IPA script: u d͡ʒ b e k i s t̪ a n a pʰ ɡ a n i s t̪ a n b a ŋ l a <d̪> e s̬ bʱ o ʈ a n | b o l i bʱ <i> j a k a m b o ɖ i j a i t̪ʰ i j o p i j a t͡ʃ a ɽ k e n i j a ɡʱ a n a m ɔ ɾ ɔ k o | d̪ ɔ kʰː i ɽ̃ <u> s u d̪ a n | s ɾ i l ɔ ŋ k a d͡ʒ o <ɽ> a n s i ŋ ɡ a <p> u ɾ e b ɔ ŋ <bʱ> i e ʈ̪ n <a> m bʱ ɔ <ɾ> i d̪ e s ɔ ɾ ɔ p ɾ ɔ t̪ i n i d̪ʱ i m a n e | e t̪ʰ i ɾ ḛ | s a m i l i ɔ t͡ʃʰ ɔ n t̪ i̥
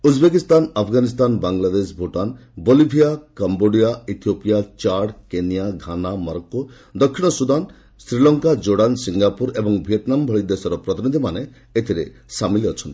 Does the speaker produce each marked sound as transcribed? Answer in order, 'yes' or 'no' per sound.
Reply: yes, yes, no, yes, yes, yes, yes, no

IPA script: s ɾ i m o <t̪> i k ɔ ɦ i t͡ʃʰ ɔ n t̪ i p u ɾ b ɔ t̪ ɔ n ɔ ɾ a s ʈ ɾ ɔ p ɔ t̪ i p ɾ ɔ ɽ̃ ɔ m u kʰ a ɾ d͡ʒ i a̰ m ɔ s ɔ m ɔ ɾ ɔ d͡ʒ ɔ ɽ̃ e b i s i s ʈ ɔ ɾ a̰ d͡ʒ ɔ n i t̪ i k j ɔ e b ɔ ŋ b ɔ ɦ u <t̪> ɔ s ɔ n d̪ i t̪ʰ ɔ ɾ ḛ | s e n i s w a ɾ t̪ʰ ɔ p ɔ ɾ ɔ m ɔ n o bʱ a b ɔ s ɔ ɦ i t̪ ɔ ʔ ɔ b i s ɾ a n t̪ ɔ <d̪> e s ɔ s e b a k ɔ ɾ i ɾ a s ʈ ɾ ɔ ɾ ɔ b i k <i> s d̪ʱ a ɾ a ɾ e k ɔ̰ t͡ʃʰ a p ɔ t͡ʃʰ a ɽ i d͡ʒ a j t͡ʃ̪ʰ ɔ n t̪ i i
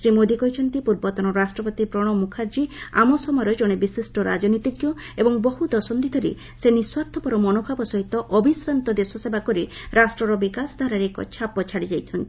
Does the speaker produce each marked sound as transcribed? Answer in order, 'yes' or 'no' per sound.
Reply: no, no, yes, no

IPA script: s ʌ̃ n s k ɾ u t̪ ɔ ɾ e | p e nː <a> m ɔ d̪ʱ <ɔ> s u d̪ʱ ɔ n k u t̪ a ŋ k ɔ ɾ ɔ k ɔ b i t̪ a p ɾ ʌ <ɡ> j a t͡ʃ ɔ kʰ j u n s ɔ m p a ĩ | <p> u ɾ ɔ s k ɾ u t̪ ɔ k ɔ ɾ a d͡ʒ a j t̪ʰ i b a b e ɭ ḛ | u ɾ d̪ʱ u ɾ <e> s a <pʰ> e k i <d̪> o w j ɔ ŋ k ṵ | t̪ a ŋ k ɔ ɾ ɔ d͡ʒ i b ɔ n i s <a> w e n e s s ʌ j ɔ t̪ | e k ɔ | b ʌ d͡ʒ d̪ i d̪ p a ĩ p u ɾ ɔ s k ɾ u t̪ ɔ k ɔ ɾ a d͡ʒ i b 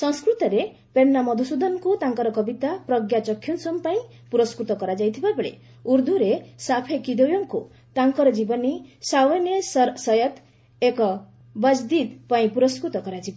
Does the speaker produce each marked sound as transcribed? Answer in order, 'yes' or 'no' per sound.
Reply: yes, no, yes, yes, yes, yes, yes, yes

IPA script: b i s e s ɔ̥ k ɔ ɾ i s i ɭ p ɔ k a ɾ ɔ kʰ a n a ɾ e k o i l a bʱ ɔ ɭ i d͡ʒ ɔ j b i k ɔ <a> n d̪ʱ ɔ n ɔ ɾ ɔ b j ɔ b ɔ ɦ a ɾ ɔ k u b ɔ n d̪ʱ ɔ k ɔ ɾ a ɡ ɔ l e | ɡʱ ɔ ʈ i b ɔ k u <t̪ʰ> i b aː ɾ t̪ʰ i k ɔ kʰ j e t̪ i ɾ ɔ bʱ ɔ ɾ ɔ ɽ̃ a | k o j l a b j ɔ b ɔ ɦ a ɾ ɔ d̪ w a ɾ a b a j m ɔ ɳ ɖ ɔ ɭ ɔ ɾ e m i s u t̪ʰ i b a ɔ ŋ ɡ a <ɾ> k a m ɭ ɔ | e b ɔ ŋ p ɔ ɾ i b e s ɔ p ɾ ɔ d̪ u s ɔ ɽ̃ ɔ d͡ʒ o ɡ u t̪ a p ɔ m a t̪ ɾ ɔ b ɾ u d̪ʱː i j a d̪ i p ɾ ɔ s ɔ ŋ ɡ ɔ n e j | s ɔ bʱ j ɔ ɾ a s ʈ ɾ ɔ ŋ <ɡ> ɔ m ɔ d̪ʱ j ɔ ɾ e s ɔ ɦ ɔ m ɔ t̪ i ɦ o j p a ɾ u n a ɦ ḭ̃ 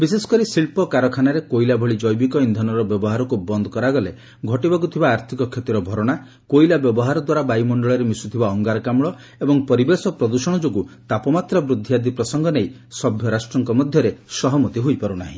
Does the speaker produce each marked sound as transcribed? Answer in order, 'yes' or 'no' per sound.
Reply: no, yes, yes, no

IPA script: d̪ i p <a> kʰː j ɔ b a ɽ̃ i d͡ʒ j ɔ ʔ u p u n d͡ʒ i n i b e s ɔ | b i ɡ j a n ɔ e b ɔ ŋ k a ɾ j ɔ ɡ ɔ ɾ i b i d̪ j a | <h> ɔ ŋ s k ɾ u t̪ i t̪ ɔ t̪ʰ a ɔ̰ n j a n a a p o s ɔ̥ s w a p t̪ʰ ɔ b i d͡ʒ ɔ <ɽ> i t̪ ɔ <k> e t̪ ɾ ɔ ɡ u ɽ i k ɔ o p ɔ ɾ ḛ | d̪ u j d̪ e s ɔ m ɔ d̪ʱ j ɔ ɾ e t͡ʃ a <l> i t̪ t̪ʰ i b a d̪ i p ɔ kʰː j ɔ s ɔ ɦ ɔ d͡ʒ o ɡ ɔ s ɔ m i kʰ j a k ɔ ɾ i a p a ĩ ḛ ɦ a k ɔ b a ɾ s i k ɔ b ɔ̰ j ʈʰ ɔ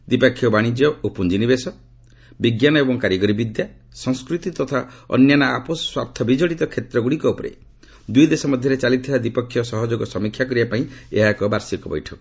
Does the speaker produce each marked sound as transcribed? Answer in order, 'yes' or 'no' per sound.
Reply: yes, no, yes, no, yes

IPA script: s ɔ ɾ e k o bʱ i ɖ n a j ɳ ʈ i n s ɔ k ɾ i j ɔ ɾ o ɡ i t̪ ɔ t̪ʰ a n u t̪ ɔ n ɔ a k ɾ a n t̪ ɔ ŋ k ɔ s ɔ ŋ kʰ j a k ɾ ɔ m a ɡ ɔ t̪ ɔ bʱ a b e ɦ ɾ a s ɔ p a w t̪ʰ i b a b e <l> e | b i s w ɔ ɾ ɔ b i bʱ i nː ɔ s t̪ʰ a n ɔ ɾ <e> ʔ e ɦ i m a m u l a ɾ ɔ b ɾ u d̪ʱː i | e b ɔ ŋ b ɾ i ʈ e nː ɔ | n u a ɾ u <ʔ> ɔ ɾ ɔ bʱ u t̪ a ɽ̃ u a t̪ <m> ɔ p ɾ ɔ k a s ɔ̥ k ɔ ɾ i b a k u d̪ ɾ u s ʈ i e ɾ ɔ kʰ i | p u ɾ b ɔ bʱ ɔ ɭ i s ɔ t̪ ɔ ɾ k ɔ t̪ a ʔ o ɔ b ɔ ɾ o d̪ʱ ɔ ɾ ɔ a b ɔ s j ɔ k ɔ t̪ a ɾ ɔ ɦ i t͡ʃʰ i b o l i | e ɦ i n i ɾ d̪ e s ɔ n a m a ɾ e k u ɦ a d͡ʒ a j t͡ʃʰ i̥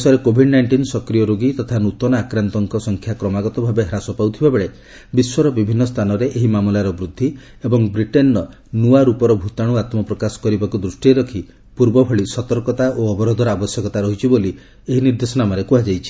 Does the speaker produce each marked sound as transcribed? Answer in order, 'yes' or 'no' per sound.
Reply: no, yes, no, yes

